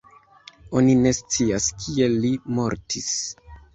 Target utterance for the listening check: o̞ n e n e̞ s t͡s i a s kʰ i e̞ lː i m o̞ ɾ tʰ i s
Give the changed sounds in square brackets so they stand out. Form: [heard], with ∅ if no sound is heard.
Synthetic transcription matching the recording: o̞ n [i] n e̞ s t͡s i a s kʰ i e̞ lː i m o̞ ɾ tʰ i s

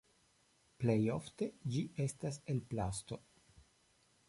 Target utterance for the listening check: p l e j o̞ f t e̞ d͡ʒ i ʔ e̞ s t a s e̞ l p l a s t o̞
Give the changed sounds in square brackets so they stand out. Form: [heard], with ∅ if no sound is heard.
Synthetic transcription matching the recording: p l e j o̞ f t e̞ d͡ʒ i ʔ e̞ s t a s e̞ l p l a s t o̞

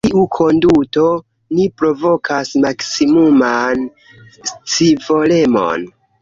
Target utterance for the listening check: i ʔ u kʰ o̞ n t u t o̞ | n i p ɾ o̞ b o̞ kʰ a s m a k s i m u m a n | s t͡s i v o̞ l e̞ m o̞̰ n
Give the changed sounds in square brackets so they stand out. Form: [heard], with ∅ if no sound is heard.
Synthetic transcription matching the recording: i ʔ u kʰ o̞ n [d] u t o̞ | n i p ɾ o̞ [v] o̞ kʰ a s m a k s i m u m a n | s t͡s i v o̞ l e̞ m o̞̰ n

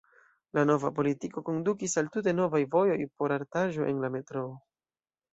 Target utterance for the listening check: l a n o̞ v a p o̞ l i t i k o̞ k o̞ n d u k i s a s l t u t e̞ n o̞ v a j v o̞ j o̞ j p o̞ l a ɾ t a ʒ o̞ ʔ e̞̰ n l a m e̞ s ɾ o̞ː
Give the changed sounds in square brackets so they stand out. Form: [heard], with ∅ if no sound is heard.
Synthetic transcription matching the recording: l a n o̞ v a p o̞ l i t i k o̞ k o̞ n d u k i s a [∅] l t u t e̞ n o̞ v a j v o̞ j o̞ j p o̞ [ɾ] a ɾ t a ʒ o̞ ʔ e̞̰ n l a m e̞ [t] ɾ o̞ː

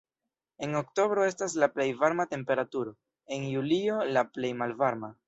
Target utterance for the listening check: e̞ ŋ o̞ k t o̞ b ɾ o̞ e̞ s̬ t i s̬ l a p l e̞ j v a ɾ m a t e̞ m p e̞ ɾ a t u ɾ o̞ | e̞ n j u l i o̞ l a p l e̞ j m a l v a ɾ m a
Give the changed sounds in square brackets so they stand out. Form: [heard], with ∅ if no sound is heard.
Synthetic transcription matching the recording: e̞ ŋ o̞ k t o̞ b ɾ o̞ e̞ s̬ t [a] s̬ l a p l e̞ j v a ɾ m a t e̞ m p e̞ ɾ a t u ɾ o̞ | e̞ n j u l i o̞ l a p l e̞ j m a l v a ɾ m a

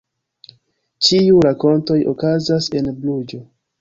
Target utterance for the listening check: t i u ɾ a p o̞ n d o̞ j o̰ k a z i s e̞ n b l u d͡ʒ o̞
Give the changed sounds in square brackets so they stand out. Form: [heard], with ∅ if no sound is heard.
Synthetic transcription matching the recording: [t͡ʃ] i u ɾ a [k] o̞ n [t] o̞ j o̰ k a z [a] s e̞ n b l u d͡ʒ o̞

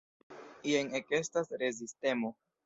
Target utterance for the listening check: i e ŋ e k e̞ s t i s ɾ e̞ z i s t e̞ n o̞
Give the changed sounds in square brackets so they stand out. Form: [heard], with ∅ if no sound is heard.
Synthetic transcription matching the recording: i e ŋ e k e̞ s t [a] s ɾ e̞ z i s t e̞ [m] o̞

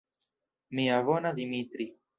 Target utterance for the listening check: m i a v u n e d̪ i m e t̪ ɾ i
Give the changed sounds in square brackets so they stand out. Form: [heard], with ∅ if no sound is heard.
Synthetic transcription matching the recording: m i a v [o] n [a] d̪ i m [i] t̪ ɾ i

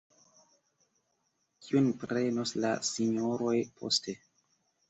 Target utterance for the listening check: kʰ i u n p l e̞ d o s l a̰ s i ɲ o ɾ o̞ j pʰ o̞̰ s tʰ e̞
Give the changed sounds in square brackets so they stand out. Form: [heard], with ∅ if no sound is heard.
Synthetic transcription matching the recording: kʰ i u n p [ɾ] e̞ [n] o s l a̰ s i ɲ o ɾ o̞ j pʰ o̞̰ s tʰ e̞

